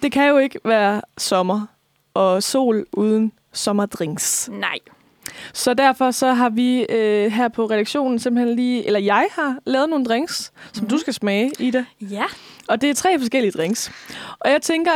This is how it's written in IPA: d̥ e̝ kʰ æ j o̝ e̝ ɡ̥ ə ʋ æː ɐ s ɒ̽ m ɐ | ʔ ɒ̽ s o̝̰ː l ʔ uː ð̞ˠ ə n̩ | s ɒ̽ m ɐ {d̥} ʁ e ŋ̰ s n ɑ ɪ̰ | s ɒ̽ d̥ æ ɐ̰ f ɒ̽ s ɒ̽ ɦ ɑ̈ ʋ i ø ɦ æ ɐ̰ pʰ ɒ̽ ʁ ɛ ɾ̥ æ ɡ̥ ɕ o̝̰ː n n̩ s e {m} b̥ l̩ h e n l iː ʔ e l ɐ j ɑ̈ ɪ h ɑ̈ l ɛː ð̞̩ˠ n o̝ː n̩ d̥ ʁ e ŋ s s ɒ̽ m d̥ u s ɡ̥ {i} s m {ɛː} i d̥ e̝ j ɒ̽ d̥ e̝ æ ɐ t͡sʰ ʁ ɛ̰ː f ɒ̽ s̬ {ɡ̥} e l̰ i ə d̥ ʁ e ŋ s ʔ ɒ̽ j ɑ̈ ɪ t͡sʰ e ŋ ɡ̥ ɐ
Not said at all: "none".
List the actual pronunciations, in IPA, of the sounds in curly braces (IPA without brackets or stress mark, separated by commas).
d̥, m, æ, ɛː, ɡ̥